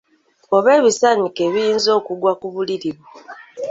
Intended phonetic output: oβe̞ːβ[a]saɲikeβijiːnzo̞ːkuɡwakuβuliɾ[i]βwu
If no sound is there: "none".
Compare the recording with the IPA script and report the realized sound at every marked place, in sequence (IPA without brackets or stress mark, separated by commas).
i, i